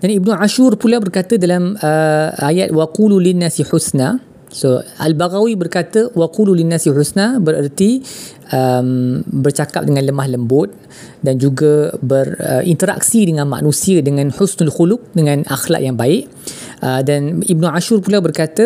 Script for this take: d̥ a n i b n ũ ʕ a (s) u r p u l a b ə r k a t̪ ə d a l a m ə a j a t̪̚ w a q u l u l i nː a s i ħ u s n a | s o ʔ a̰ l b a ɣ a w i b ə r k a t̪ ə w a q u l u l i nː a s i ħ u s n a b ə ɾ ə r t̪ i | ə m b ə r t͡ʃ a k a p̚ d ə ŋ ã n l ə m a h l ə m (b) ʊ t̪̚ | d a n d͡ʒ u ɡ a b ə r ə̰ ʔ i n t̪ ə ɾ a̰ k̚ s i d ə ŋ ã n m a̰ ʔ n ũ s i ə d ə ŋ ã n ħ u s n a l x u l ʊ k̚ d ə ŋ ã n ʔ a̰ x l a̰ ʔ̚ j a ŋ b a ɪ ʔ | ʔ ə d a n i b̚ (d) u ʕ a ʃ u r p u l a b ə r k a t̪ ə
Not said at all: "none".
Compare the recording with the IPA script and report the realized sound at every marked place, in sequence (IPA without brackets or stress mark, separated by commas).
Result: ʃ, b, n